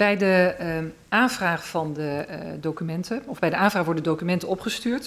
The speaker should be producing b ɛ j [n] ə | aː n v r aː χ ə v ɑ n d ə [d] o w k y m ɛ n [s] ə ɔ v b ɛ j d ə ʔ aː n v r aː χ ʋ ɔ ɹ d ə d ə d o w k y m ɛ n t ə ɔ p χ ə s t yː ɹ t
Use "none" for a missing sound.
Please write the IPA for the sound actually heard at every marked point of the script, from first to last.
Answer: d, d, t

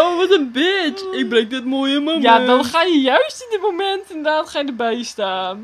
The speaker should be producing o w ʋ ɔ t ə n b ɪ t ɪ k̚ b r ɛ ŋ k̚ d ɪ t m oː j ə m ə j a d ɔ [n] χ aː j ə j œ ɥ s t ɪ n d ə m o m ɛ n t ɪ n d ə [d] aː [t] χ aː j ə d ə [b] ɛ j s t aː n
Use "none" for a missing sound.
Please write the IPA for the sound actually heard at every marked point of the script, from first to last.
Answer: n, d, t, b

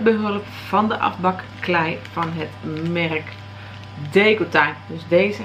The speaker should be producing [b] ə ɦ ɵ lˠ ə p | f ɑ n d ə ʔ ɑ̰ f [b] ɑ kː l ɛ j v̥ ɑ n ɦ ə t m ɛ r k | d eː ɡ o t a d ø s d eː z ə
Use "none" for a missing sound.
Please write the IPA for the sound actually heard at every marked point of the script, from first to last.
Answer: b, b

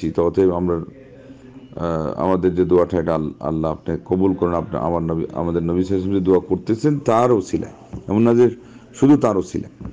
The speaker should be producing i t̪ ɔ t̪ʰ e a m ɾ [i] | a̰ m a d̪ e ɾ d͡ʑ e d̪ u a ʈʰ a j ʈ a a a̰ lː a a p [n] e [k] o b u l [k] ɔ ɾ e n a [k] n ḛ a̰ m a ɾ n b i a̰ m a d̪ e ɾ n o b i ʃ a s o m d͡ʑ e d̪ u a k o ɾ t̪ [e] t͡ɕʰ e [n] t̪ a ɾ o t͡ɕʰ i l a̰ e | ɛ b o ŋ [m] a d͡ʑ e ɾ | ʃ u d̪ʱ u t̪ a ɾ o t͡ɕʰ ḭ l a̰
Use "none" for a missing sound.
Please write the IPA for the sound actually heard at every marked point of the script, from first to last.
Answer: a, n, k, k, p, e, n, n

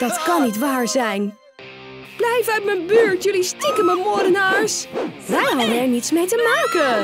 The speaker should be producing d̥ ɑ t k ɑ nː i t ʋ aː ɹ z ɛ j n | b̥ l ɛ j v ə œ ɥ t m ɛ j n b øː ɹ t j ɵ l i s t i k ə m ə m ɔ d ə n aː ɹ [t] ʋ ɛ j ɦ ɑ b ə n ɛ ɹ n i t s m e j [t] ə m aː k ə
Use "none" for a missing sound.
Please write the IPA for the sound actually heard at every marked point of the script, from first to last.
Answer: s, t

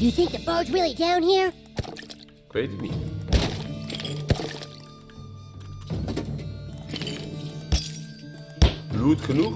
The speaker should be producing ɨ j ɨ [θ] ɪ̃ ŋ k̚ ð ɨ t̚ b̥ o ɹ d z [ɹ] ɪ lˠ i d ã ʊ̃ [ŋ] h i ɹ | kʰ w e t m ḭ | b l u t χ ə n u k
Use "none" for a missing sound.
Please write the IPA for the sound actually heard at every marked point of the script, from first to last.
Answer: θ, ɹ, n

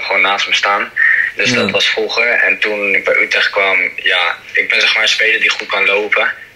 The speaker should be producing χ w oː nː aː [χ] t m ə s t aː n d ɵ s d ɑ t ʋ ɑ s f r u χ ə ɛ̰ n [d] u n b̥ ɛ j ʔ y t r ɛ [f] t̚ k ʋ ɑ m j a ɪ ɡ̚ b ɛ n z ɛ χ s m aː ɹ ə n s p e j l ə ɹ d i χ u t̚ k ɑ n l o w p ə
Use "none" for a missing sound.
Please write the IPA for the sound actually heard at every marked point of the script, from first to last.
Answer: s, t, χ

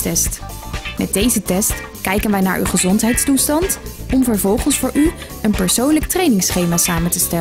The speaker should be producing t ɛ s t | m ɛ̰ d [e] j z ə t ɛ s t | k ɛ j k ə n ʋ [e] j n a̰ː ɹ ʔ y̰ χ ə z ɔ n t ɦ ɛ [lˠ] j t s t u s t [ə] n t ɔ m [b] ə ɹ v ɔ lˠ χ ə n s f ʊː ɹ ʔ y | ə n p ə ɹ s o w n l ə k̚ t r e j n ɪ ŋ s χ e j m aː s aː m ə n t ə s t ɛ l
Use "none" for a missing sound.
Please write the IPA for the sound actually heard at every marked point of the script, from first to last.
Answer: e, ɛ, none, ɑ, v

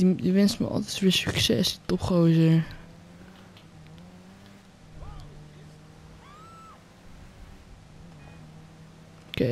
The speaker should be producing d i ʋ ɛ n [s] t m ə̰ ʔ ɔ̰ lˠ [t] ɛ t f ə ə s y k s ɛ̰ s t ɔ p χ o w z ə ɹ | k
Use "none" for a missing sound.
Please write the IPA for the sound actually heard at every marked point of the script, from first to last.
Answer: s, t

